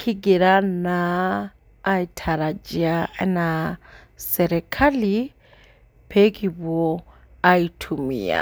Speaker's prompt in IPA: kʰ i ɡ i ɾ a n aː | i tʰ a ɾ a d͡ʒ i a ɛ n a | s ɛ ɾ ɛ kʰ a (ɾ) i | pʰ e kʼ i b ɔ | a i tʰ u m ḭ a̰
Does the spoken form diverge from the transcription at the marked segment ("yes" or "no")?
yes